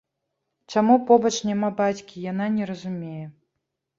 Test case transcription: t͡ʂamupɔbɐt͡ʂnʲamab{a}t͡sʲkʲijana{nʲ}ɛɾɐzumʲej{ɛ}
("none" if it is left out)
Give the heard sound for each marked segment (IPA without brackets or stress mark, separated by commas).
a, nʲ, ɛ